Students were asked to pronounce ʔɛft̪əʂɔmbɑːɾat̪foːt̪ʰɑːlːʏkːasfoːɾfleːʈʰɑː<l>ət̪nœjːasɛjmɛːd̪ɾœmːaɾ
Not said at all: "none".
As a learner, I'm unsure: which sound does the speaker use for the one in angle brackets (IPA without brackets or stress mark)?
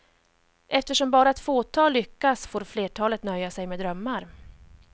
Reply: l